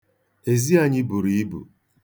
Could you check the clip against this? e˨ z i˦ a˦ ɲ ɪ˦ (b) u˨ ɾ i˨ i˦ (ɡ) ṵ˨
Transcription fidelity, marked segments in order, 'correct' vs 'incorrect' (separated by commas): correct, incorrect